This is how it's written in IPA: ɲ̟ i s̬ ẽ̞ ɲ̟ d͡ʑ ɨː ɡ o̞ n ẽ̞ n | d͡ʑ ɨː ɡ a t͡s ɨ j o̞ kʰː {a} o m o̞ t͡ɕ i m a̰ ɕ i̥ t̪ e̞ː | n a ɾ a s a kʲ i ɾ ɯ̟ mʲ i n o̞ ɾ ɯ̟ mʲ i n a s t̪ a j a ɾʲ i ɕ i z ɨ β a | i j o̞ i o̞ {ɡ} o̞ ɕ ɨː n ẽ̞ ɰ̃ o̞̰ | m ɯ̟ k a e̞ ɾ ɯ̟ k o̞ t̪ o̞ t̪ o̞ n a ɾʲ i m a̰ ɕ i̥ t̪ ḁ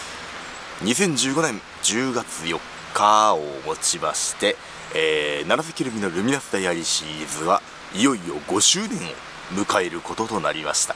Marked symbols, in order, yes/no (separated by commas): yes, yes